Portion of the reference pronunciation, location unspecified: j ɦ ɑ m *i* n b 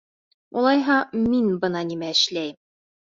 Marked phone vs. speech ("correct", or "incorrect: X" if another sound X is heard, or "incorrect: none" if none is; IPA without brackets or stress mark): correct